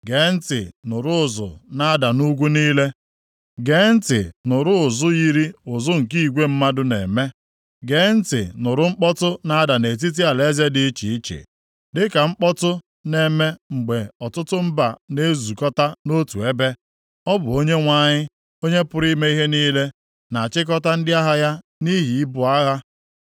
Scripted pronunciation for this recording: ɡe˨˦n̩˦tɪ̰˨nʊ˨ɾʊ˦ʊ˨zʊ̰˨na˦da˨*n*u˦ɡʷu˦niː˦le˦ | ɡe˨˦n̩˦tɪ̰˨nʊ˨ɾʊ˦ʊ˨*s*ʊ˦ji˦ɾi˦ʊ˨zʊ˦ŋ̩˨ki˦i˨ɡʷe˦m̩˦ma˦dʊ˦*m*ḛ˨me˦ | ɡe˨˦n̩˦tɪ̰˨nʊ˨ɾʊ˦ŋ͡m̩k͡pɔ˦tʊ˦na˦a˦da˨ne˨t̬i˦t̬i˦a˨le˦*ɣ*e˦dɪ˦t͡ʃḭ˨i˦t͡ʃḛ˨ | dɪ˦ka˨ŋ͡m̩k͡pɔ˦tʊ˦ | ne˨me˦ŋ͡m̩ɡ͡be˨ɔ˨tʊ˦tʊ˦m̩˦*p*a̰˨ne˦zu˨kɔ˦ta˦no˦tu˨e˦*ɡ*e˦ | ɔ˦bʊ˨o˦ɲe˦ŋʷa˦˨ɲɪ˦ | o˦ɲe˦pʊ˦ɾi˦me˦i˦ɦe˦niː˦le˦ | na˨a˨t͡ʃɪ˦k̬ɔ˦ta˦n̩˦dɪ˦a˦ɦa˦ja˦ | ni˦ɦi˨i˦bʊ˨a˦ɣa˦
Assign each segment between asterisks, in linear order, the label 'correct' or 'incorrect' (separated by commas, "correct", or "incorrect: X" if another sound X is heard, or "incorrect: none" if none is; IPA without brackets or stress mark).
correct, incorrect: z, incorrect: n, incorrect: z, incorrect: b, incorrect: b